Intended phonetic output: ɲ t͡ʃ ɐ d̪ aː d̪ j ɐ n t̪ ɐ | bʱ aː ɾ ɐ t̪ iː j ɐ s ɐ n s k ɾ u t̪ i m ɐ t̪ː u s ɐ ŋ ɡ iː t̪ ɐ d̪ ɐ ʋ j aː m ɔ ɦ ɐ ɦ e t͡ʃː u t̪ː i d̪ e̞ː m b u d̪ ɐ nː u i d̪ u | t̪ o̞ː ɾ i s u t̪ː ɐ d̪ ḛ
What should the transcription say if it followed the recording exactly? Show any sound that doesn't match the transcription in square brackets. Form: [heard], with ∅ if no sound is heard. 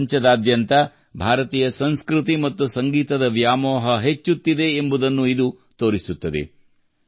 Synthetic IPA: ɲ t͡ʃ ɐ d̪ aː d̪ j ɐ n t̪ ɐ | bʱ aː ɾ ɐ t̪ iː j ɐ s ɐ n s k ɾ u t̪ i m ɐ t̪ː u s ɐ ŋ ɡ iː t̪ ɐ d̪ ɐ ʋ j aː m [ɔː] ɦ ɐ ɦ e t͡ʃː u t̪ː i d̪ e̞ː m b u d̪ ɐ nː u i d̪ u | t̪ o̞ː ɾ i s u t̪ː ɐ d̪ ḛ